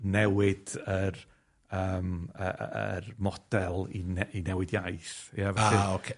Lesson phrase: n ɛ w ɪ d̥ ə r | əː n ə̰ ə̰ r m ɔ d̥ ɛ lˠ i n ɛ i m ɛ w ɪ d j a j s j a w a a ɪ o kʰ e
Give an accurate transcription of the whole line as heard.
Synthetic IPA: n ɛ w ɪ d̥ ə r | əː m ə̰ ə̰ r m ɔ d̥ ɛ lˠ i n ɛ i n ɛ w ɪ d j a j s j a v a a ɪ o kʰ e